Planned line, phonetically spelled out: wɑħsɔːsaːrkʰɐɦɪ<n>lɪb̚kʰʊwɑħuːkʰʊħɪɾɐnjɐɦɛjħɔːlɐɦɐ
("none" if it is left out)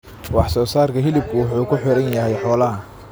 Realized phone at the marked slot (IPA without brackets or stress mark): none